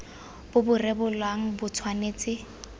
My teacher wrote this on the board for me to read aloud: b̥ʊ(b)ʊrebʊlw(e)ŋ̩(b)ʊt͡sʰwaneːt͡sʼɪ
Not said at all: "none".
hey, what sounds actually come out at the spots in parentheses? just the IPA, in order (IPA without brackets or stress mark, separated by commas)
b, a, b